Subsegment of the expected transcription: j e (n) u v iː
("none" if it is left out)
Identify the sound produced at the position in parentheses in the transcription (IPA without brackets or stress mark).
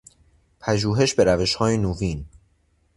n